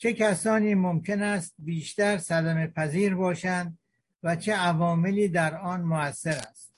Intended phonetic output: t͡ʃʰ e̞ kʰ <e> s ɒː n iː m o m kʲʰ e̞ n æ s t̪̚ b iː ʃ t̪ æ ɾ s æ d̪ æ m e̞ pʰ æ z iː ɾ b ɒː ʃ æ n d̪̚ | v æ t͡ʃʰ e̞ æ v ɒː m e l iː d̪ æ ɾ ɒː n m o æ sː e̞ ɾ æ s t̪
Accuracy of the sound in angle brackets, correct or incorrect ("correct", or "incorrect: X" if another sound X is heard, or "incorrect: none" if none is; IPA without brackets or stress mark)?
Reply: incorrect: æ